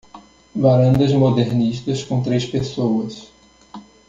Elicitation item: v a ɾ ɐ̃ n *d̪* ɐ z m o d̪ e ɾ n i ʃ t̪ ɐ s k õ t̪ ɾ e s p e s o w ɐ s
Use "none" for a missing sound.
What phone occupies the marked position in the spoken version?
d̪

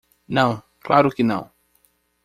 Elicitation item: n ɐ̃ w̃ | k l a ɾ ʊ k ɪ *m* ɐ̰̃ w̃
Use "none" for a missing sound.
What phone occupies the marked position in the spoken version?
n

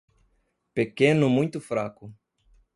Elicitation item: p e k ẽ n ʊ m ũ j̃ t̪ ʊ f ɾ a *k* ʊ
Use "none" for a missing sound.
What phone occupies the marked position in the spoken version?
k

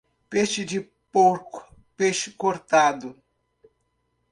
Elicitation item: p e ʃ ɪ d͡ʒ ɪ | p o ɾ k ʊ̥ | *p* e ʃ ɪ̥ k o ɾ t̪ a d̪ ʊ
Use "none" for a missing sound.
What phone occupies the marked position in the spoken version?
p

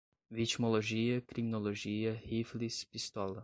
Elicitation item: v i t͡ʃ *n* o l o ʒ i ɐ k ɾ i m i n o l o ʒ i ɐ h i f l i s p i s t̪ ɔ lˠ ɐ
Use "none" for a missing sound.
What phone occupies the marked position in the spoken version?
m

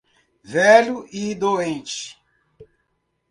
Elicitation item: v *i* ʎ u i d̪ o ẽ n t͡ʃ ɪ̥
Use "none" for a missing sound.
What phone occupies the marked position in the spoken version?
ɛ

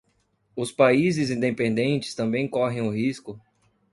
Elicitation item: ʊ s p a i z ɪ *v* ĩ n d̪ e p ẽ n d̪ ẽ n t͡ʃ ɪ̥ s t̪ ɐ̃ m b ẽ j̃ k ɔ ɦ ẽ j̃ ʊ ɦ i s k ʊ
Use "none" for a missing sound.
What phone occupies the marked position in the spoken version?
z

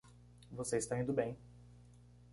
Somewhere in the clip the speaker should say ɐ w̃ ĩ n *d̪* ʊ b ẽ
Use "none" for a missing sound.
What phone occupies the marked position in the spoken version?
d̪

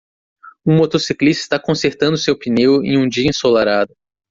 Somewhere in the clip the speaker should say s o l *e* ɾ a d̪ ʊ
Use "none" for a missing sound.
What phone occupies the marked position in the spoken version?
a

